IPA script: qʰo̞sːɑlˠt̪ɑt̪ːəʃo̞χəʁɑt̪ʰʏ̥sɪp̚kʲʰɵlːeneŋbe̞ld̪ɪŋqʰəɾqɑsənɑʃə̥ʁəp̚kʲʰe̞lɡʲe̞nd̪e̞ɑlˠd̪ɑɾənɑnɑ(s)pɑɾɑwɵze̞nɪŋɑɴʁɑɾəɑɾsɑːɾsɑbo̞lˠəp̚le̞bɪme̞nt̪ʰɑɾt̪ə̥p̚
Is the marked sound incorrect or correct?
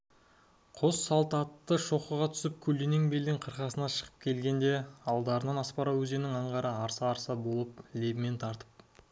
correct